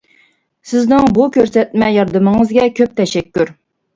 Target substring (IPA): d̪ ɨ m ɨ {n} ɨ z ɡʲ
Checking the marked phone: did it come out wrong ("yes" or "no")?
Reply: yes